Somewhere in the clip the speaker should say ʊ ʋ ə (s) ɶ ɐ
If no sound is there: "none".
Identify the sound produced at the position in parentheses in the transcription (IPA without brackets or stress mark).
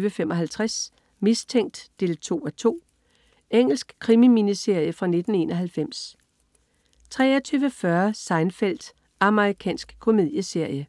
f